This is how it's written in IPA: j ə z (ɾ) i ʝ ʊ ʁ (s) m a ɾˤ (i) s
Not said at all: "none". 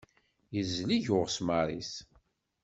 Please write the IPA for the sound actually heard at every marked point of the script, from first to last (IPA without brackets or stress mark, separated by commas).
l, s, i